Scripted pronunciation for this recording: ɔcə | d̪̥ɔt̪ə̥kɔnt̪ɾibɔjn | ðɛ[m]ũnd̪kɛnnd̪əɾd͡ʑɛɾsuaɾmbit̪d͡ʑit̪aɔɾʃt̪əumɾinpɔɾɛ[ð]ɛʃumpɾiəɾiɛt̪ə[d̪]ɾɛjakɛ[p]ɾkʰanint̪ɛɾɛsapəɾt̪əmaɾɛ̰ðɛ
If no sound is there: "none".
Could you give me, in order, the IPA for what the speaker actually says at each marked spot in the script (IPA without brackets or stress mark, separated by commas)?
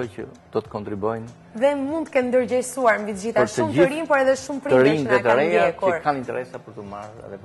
m, ð, none, none